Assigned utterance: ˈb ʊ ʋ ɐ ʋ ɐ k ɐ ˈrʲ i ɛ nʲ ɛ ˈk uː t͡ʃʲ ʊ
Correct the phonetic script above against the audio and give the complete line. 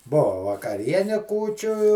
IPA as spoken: ˈb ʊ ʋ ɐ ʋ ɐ k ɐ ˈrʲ i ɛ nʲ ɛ ˈk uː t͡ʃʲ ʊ